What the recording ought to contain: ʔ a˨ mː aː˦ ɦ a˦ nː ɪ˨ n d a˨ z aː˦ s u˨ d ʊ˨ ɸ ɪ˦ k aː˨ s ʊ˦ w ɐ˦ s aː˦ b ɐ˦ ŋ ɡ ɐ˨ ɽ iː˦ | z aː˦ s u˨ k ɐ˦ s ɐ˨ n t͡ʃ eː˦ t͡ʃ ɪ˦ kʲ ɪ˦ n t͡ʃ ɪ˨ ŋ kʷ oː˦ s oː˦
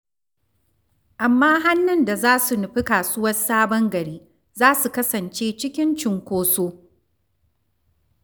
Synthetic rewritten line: ʔ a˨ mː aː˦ ɦ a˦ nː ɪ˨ n d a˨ z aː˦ s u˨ n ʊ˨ ɸ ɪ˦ k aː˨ s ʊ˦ w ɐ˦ s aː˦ b ɐ˦ ŋ ɡ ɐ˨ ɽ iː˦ | z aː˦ s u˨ k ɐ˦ s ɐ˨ n t͡ʃ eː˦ t͡ʃ ɪ˦ kʲ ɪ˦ n t͡ʃ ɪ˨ ŋ kʷ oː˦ s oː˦

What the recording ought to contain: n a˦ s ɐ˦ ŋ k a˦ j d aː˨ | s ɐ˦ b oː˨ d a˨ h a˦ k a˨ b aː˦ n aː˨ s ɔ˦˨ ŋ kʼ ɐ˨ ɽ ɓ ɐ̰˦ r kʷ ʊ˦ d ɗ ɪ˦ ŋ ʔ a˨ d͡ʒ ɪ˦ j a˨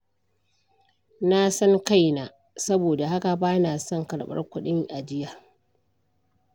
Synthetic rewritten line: n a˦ s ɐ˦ ŋ k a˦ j n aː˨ | s ɐ˦ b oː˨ d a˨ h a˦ k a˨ b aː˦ n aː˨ s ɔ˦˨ ŋ k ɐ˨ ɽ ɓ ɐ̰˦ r kʷ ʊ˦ ɗ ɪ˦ ŋ ʔ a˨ d͡ʒ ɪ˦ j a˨

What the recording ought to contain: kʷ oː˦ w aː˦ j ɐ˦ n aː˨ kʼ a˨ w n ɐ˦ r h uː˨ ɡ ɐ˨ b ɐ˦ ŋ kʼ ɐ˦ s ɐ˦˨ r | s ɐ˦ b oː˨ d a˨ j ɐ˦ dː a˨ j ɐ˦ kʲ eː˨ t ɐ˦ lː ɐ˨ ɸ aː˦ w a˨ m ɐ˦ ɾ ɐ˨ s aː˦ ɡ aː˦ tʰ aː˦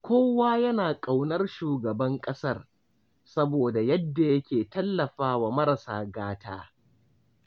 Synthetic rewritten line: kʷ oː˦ w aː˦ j ɐ˦ n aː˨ kʼ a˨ w n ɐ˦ r ʃ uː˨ ɡ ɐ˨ b ɐ˦ ŋ kʼ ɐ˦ s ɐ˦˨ r | s ɐ˦ b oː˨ d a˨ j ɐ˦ dː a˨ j ɐ˦ kʲ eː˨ t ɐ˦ lː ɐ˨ ɸ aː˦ w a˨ m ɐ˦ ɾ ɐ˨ s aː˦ ɡ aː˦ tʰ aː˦

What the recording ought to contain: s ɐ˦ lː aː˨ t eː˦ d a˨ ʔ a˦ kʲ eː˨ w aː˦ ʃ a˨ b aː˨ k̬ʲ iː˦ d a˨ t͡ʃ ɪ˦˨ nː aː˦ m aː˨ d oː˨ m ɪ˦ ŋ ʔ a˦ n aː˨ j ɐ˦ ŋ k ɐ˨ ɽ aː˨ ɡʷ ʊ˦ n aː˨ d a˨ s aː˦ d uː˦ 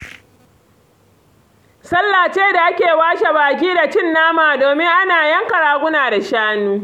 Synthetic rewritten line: s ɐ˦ lː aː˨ t͡ʃ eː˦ d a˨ ʔ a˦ kʲ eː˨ w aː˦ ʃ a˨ b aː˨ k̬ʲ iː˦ d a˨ t͡ʃ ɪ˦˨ nː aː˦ m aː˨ d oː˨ m ɪ˦ ŋ ʔ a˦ n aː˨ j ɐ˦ ŋ k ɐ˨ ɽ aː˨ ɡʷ ʊ˦ n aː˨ d a˨ ʃ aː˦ n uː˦

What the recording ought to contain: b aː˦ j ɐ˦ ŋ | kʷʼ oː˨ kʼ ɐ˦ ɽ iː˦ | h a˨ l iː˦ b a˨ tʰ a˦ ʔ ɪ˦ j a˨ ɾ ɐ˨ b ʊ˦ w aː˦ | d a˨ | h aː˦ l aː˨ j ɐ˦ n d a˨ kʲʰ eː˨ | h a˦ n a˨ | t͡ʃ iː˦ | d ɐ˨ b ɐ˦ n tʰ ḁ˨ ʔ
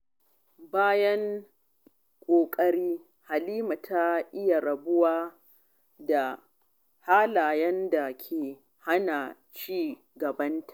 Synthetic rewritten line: b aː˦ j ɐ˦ ŋ | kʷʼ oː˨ kʼ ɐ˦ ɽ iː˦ | h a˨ l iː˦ m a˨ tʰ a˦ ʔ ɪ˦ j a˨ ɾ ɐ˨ b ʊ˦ w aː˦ | d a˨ | h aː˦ l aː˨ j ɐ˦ n d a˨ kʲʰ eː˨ | h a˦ n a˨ | t͡ʃ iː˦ | ɡ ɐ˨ b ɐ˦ n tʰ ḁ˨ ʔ

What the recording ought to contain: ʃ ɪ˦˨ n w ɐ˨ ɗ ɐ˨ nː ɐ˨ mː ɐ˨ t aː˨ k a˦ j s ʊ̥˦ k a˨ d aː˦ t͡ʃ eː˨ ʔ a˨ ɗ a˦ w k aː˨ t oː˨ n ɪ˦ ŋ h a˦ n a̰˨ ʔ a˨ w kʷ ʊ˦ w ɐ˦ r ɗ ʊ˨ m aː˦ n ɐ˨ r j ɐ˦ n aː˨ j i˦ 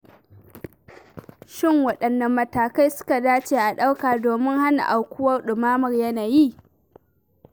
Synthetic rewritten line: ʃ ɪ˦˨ ŋ w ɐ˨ ɗ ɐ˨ nː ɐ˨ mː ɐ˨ t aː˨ k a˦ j s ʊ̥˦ k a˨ d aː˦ t͡ʃ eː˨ ʔ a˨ ɗ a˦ w k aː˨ d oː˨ m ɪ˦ ŋ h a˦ n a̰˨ ʔ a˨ w kʷ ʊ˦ w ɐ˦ r ɗ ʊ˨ m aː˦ m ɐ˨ r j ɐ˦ n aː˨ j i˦

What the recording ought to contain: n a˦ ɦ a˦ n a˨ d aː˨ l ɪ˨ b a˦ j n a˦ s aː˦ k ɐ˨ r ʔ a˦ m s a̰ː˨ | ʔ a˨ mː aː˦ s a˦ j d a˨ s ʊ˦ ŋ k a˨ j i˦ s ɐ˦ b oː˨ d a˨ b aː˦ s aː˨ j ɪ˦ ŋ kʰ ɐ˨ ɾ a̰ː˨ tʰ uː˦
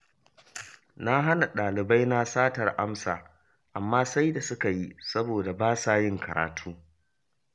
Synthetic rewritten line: n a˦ ɦ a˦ n a˨ ɗ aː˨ l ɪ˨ b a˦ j n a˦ s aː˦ t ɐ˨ r ʔ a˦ m s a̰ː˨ | ʔ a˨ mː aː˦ s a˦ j d a˨ s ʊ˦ k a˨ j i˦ s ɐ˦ b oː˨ d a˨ b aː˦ s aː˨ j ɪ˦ ŋ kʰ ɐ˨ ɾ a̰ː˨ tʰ uː˦

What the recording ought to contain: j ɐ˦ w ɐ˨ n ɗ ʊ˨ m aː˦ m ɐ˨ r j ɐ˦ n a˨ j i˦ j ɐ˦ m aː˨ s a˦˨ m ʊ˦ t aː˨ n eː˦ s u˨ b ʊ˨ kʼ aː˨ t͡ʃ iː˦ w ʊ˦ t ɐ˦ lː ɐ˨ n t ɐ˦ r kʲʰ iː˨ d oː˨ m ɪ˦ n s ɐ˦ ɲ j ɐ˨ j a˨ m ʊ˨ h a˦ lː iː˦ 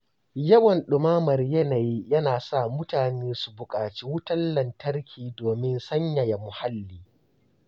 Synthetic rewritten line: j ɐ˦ w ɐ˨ n ɗ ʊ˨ m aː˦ m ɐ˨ r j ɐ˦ n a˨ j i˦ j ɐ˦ n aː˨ s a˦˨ m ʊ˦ t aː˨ n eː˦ s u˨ b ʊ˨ kʼ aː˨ t͡ʃ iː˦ w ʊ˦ t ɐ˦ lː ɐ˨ n t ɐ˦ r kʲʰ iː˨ d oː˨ m ɪ˦ n s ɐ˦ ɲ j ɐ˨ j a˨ m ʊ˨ h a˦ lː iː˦

